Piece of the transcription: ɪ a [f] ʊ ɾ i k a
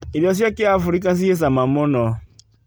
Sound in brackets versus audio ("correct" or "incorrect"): correct